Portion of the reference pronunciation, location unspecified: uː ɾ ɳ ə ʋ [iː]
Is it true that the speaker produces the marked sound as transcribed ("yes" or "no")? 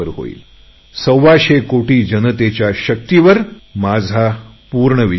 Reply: no